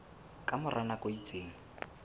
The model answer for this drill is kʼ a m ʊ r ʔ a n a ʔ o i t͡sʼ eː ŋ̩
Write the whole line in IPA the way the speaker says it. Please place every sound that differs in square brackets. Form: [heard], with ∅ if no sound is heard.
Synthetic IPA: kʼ a m ʊ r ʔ a n a [k] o i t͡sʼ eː ŋ̩